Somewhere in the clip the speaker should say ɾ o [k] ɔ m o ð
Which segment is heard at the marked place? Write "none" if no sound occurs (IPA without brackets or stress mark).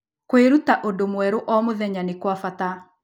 ʔ